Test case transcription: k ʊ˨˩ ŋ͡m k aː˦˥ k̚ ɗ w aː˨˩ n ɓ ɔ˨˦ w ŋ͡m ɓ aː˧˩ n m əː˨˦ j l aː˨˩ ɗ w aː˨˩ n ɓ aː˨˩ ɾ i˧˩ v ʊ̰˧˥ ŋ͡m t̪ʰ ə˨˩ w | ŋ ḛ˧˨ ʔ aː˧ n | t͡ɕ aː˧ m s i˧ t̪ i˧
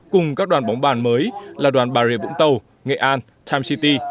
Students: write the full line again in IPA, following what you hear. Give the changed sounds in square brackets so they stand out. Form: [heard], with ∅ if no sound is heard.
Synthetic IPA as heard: k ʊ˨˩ ŋ͡m k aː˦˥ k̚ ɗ w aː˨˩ n ɓ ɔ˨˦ w ŋ͡m ɓ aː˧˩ n m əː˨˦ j l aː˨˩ ɗ w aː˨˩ n ɓ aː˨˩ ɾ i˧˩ v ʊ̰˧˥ ŋ͡m [t̪] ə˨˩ w | ŋ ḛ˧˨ ʔ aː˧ n | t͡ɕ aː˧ m s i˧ t̪ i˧